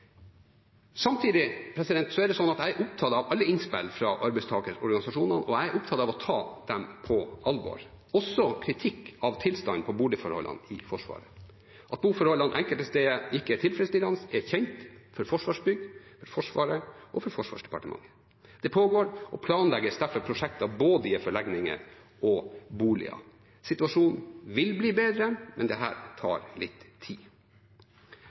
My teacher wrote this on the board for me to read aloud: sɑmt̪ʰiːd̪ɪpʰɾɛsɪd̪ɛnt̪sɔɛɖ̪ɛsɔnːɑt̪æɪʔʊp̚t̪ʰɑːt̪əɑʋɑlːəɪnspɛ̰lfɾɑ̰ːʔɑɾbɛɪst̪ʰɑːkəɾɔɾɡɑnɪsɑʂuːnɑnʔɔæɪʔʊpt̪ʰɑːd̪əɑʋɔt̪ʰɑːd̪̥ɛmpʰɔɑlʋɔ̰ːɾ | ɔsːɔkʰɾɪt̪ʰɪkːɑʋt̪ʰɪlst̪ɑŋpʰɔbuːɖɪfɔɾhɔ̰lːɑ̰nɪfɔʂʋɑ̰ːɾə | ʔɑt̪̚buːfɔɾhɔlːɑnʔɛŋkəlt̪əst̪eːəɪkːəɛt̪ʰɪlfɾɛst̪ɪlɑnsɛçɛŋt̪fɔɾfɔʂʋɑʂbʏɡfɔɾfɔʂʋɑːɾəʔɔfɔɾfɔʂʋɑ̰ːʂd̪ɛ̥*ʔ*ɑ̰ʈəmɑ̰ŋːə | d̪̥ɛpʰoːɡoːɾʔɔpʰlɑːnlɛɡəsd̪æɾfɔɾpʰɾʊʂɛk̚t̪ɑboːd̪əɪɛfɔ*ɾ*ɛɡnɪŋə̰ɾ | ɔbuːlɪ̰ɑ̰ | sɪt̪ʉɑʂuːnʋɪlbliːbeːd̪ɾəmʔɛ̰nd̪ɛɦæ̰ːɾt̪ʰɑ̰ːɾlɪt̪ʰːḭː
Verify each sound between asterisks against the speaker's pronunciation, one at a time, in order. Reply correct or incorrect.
incorrect: p, incorrect: ɭ

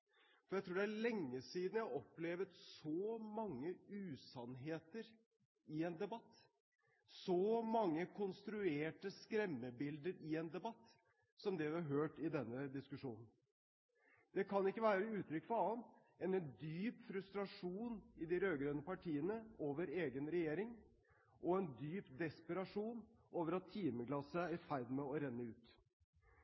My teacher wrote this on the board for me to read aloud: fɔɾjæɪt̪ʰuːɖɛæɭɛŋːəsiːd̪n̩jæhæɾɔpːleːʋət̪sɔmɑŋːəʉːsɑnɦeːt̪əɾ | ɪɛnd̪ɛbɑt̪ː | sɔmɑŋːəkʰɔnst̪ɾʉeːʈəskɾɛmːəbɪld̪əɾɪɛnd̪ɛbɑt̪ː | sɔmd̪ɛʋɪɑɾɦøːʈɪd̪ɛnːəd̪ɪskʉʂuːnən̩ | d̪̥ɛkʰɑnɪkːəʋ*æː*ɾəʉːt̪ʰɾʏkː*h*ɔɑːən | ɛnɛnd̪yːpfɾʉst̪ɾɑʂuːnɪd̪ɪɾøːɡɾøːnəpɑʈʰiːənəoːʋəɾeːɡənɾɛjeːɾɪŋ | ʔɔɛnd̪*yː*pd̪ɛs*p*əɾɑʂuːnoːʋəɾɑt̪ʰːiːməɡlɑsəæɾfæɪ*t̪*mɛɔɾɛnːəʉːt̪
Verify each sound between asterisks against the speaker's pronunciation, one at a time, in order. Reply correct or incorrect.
correct, incorrect: f, correct, correct, incorrect: d̪

